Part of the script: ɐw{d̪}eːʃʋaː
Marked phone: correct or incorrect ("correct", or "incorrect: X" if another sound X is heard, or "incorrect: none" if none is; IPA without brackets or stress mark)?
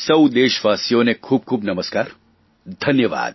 correct